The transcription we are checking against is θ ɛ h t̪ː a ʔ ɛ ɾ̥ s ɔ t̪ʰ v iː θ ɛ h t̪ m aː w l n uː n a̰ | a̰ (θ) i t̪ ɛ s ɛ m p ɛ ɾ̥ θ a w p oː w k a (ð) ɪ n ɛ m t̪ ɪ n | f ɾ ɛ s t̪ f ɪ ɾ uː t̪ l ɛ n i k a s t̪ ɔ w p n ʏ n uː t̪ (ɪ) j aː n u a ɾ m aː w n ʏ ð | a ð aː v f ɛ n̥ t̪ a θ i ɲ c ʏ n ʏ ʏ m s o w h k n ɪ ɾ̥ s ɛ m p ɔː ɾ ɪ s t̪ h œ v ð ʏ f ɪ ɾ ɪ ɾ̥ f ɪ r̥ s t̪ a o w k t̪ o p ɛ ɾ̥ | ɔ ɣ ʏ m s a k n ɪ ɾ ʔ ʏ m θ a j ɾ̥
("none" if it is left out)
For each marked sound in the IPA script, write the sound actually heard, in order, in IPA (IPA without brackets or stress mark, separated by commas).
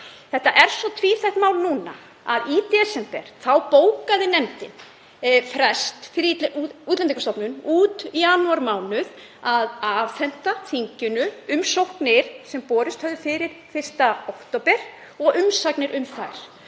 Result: ð, ð, i